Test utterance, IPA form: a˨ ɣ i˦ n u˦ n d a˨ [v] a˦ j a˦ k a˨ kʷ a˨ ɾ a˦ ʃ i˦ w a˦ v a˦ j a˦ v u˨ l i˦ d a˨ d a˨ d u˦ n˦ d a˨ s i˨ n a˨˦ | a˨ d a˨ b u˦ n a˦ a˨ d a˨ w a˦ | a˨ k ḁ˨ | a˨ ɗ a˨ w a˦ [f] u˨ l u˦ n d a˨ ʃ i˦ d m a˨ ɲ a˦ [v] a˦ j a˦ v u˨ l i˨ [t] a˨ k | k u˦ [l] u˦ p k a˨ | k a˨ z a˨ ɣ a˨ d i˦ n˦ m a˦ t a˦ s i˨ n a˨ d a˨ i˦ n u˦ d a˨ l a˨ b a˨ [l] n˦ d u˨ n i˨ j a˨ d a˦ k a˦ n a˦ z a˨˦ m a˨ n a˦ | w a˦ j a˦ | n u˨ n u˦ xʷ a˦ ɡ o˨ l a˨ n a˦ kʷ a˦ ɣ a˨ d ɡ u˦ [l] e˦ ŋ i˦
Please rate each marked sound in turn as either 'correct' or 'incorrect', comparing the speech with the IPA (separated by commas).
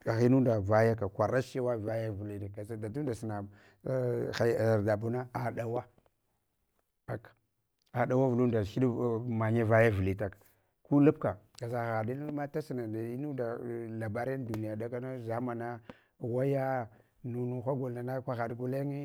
correct, incorrect, correct, correct, correct, incorrect, correct